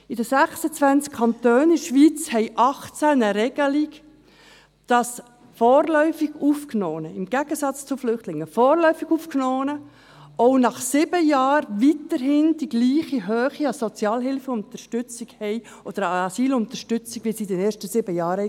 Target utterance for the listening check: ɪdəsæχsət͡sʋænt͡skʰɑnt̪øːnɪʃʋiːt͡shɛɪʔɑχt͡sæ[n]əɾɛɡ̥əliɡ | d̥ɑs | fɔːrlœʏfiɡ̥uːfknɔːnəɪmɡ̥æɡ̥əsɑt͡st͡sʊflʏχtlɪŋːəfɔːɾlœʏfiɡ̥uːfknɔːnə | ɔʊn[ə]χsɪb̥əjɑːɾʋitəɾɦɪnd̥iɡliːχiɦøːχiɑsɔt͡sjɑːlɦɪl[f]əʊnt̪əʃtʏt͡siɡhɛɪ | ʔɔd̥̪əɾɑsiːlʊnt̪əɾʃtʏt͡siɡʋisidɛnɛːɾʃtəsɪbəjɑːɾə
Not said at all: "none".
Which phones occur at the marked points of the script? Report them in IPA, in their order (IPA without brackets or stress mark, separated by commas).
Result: n, ɑ, f